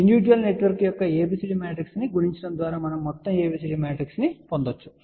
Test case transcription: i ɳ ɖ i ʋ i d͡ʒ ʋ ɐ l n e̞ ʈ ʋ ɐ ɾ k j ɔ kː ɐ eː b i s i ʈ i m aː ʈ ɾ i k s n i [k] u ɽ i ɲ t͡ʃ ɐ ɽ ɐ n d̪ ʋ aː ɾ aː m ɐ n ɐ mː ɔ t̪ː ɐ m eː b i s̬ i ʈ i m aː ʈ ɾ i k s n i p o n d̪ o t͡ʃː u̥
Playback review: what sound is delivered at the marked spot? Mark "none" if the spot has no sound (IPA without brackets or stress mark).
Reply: ɡ